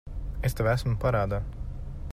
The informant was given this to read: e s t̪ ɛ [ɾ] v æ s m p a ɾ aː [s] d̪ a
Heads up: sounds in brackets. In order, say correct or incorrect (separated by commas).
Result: incorrect, incorrect